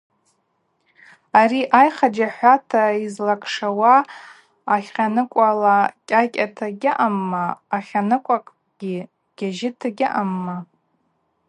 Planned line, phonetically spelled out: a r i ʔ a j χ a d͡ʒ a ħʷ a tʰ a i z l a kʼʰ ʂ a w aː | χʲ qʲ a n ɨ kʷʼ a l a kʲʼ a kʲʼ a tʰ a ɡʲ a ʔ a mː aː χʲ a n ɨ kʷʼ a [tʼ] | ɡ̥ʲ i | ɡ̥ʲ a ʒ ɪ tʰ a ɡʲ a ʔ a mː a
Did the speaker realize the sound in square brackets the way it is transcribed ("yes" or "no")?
no